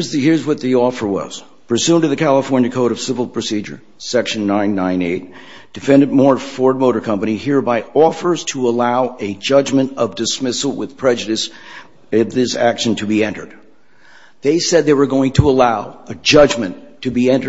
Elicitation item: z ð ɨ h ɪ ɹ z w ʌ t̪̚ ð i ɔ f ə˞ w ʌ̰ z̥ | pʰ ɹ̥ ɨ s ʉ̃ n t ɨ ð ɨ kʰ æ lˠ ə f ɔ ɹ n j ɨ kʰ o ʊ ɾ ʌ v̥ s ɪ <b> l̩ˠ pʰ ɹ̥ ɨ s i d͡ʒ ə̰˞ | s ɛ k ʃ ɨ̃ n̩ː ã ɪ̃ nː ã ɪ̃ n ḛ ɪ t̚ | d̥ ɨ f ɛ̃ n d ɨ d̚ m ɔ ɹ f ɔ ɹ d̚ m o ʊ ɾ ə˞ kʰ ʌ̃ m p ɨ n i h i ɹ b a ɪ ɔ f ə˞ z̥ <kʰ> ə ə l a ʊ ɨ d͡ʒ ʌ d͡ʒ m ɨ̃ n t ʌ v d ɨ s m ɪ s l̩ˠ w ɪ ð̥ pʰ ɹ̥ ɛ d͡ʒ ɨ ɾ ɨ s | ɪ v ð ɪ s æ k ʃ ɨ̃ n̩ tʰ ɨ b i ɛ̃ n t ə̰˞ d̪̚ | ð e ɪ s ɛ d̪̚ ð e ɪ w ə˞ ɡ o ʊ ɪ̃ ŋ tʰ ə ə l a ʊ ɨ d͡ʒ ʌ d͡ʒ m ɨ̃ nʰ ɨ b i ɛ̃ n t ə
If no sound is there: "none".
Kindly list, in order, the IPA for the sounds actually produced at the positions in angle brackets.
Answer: v, tʰ

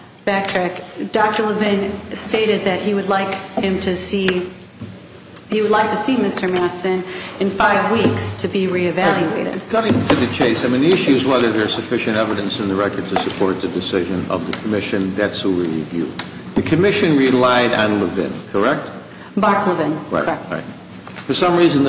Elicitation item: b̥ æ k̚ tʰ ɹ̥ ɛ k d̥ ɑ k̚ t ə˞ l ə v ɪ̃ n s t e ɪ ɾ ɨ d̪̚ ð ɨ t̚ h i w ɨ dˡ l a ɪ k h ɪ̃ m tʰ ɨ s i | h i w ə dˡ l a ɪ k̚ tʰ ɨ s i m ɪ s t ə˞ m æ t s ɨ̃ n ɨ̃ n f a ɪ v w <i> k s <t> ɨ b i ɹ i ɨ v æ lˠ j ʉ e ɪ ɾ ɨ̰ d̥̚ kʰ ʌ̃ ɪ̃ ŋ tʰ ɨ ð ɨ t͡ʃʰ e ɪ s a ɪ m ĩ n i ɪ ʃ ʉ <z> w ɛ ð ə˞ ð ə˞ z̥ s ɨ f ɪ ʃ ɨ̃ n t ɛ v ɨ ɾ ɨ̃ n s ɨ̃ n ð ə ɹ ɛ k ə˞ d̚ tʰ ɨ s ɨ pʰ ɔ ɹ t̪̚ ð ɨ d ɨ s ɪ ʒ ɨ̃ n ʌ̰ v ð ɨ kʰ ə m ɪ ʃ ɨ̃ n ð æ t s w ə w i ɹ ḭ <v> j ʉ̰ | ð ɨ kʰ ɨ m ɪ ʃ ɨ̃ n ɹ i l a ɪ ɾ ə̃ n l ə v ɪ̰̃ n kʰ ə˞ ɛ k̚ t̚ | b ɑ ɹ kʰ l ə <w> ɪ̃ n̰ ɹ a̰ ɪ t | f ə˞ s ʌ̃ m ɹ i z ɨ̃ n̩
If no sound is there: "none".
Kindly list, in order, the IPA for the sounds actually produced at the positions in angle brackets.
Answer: i, tʰ, z, v, v

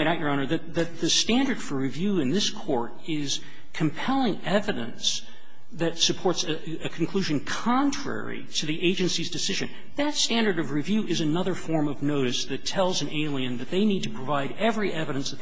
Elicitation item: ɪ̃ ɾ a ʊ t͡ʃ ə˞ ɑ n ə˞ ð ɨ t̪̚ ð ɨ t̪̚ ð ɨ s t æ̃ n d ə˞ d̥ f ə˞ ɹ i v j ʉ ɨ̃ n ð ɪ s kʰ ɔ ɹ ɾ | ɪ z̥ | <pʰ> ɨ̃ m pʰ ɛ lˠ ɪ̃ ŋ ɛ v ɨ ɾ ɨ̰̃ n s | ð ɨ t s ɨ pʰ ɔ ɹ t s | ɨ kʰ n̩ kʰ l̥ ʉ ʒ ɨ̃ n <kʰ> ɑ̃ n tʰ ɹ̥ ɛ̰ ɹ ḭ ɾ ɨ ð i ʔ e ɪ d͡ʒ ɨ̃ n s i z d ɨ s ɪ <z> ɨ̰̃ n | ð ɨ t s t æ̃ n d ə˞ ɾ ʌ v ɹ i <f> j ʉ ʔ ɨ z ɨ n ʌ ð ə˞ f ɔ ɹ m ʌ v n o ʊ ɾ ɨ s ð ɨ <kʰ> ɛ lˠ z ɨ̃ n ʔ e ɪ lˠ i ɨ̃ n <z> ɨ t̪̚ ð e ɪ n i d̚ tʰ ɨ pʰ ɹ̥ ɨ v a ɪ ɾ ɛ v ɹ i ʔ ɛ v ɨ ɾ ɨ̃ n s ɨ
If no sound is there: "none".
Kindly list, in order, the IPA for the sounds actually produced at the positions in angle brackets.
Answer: kʰ, kʰ, ʒ, v, tʰ, ð

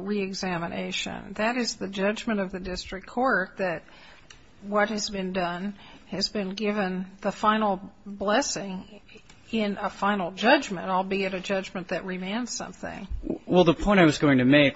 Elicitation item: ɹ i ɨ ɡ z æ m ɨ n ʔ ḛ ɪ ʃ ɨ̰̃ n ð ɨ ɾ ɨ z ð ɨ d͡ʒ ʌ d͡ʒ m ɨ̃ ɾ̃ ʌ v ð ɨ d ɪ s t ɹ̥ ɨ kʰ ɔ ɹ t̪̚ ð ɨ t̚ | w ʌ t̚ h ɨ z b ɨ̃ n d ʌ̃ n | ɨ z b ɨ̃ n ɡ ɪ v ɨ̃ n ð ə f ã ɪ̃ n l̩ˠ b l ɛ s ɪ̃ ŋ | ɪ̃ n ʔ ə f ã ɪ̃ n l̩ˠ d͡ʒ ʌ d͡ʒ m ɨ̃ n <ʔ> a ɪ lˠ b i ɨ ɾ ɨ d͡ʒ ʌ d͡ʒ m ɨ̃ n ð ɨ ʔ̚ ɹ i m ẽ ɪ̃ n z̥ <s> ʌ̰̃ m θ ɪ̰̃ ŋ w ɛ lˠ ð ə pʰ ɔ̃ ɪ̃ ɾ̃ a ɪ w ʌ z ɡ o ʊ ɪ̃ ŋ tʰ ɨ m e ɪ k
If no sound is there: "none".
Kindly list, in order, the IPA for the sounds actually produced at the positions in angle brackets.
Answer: t, s

